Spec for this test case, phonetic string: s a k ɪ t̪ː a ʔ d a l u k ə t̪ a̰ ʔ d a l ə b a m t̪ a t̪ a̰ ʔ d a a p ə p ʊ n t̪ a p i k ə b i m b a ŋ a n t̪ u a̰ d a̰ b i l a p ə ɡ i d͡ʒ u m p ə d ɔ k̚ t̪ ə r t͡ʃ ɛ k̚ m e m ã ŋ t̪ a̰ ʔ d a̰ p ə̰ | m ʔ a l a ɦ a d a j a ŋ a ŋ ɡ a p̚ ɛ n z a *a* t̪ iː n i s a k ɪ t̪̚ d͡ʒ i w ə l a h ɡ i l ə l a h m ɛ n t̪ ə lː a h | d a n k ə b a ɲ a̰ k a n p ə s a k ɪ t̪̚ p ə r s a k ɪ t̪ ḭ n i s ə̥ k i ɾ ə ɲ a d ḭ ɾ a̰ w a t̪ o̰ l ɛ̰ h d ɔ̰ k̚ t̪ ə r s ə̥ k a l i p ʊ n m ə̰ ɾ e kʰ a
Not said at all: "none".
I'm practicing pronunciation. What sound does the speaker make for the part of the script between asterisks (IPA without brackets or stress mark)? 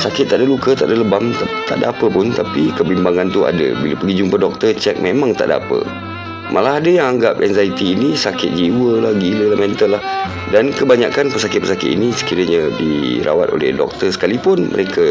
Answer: i